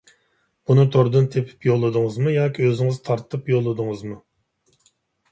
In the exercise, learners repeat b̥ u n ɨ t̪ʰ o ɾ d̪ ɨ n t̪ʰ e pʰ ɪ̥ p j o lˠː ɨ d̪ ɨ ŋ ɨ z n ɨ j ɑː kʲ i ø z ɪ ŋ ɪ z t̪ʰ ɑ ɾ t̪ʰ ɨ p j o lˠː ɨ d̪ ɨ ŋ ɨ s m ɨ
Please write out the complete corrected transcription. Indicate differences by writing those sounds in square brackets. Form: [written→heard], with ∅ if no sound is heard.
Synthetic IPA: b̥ u n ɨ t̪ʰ o ɾ d̪ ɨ n t̪ʰ e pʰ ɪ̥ p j o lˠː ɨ d̪ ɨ ŋ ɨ z [n→m] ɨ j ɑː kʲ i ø z ɪ ŋ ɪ z t̪ʰ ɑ ɾ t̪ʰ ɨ p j o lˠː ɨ d̪ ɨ ŋ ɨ [s→z] m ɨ